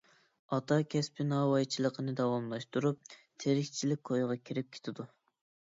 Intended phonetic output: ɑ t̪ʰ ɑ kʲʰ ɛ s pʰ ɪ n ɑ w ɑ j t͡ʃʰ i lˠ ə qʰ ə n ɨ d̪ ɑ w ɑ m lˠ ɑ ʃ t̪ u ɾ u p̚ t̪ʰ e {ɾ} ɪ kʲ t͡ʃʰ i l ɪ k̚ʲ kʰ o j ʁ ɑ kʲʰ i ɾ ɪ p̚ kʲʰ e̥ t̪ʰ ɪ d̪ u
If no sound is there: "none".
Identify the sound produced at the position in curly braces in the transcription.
ɾ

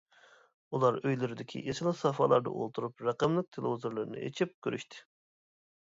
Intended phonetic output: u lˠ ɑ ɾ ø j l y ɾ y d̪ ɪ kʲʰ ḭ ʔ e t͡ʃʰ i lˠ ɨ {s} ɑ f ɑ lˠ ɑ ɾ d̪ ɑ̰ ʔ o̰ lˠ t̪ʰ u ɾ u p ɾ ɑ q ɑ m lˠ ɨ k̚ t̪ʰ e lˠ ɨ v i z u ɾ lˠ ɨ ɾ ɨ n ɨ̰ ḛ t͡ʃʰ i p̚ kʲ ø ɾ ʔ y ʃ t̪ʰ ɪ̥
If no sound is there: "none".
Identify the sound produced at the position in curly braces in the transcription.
s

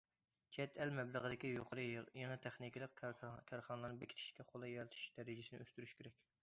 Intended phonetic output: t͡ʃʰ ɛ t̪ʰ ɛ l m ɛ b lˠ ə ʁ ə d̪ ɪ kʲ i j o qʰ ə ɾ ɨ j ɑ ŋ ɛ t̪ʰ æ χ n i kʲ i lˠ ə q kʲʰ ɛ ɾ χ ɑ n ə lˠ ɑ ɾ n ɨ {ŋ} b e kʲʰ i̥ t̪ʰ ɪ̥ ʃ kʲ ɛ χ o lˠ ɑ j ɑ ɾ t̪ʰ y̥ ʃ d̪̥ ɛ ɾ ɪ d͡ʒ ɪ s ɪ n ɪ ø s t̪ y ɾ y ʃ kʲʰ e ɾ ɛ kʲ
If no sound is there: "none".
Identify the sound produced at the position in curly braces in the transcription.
none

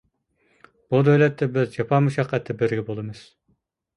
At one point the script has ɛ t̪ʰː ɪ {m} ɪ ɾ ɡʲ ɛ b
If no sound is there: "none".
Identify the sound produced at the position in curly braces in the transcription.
b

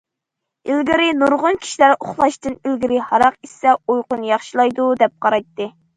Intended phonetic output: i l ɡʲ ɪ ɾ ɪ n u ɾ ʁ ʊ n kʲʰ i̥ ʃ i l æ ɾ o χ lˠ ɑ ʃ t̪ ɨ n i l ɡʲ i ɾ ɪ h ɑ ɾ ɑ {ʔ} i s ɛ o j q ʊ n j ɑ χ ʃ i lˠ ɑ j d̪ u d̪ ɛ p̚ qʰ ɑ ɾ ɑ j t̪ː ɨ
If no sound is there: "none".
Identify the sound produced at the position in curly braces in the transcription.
q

